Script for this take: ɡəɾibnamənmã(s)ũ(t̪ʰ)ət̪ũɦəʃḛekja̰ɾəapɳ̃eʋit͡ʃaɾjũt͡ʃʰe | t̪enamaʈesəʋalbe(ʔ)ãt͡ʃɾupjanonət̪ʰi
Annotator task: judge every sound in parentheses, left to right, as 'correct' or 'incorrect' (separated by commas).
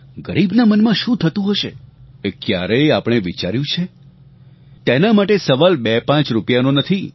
incorrect, correct, incorrect